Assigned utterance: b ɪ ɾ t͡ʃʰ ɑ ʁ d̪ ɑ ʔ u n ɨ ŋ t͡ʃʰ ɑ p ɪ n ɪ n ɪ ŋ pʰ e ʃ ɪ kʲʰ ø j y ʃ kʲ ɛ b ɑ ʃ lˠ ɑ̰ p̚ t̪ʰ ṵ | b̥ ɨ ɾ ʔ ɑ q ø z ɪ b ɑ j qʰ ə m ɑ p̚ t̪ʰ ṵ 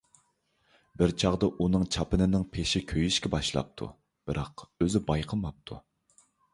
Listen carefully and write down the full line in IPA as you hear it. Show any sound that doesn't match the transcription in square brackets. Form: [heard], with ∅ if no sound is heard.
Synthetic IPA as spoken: b ɪ ɾ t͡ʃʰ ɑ ʁ d̪ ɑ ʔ u n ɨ ŋ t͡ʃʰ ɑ p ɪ n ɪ n ɪ ŋ pʰ e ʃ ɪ kʲʰ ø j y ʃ kʲ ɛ b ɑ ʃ lˠ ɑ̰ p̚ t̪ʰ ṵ | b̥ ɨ ɾ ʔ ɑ q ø z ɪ b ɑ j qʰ ə m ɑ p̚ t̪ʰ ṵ